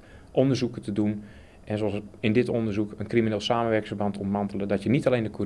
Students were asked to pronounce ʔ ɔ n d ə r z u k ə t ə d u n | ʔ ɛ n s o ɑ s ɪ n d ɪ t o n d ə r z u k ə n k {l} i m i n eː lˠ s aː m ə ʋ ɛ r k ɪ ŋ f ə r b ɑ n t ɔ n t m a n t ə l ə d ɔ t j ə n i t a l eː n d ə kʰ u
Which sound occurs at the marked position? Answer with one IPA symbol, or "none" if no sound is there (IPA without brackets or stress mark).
r